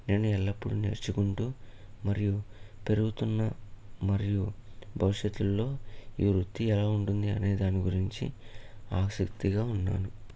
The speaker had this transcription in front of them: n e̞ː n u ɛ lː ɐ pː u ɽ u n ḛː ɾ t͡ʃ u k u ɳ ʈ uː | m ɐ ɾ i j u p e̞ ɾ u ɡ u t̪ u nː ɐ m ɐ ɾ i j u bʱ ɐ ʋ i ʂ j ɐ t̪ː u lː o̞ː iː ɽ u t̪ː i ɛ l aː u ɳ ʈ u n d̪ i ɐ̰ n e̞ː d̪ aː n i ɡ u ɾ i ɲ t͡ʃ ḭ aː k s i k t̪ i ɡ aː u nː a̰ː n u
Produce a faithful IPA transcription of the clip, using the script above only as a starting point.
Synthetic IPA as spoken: n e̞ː n u ɛ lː ɐ pː u ɽ u n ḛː ɾ t͡ʃ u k u ɳ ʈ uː | m ɐ ɾ i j u p e̞ ɾ u ɡ u t̪ u nː ɐ m ɐ ɾ i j u bʱ ɐ ʋ i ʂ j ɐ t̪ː u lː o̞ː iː ɾ u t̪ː i ɛ l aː u ɳ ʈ u n d̪ i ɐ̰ n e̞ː d̪ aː n i ɡ u ɾ i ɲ t͡ʃ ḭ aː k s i k t̪ i ɡ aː u nː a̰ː n u